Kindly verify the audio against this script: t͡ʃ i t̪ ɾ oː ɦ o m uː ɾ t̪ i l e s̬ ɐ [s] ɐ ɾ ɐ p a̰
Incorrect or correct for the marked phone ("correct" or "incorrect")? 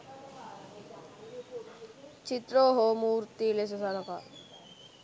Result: correct